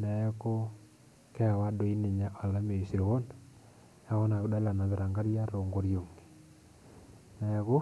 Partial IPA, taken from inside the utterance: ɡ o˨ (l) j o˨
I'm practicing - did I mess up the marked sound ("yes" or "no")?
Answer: yes